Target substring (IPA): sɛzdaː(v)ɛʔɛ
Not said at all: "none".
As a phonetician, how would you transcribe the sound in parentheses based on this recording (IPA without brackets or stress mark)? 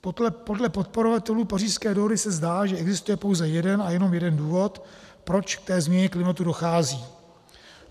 ʒ